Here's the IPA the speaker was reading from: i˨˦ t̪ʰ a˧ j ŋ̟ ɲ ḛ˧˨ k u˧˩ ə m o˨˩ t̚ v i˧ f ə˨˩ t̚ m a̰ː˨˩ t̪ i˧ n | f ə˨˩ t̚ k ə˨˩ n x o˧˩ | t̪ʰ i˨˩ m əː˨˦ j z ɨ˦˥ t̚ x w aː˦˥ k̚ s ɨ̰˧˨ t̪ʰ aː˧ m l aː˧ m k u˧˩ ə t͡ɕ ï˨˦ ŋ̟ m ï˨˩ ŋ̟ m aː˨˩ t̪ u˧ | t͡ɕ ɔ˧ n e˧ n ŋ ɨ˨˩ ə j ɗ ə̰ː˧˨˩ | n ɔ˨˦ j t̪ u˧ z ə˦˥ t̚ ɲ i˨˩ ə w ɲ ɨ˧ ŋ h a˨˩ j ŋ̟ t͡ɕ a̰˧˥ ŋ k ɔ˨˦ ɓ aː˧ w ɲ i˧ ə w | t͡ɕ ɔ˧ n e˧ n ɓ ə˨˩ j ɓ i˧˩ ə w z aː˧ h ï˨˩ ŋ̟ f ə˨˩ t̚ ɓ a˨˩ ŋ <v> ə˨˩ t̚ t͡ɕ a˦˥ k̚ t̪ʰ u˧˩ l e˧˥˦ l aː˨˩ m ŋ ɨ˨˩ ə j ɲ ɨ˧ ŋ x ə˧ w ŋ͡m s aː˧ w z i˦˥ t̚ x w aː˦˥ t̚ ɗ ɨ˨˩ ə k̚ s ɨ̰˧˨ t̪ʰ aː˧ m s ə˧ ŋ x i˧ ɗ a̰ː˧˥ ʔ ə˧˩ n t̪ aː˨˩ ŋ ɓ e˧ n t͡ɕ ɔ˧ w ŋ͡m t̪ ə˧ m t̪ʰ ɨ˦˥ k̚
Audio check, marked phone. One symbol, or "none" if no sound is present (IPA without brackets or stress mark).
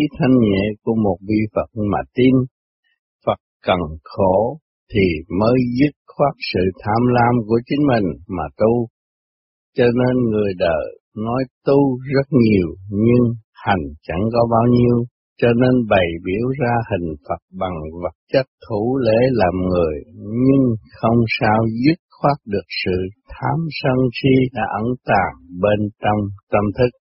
v